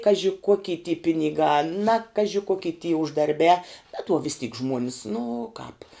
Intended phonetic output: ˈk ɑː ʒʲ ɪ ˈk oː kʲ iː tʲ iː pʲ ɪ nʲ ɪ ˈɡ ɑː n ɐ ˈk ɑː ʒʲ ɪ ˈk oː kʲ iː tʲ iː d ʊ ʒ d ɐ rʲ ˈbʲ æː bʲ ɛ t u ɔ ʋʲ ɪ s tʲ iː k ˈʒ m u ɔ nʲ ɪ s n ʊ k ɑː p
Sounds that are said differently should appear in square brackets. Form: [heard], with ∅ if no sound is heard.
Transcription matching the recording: ˈk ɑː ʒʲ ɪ ˈk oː kʲ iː tʲ iː pʲ ɪ nʲ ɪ ˈɡ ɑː n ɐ ˈk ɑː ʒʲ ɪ ˈk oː kʲ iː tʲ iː [∅] ʊ ʒ d ɐ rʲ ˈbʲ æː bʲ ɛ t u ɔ ʋʲ ɪ s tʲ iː k ˈʒ m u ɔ nʲ ɪ s n ʊ k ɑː p